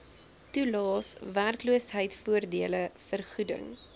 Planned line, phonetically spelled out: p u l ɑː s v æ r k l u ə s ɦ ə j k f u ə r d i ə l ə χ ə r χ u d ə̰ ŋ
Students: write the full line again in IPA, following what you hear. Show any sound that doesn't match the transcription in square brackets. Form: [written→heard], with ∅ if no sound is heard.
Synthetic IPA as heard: [p→t] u l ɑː s v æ r k l u ə s ɦ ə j [k→t] f u ə r d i ə l ə [χ→f] ə r χ u d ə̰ ŋ